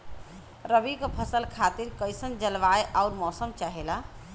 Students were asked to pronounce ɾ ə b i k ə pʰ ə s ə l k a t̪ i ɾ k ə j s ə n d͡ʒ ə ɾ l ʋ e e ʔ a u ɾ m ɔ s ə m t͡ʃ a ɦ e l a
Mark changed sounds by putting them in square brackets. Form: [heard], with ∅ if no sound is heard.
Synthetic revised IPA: ɾ ə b i k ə pʰ ə s ə l [kʰ] a t̪ i ɾ k ə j s ə n d͡ʒ ə [∅] l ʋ [a] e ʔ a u ɾ m ɔ s ə m t͡ʃ a ɦ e l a